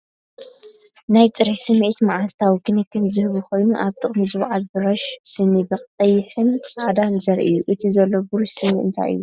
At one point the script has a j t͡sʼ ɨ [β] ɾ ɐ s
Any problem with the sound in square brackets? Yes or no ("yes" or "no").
yes